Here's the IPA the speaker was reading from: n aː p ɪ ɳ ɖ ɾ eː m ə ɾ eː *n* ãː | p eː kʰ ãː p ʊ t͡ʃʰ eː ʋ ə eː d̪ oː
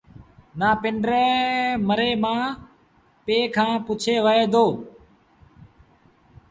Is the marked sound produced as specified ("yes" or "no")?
no